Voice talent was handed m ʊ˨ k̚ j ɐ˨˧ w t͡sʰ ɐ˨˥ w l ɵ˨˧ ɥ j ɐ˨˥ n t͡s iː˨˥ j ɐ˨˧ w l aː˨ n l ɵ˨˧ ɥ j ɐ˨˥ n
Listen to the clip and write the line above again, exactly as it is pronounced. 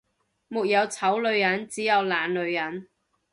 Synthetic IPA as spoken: m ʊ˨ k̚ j ɐ˨˧ w t͡sʰ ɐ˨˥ w l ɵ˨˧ ɥ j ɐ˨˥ n t͡s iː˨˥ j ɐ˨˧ w l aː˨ n l ɵ˨˧ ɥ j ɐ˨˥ n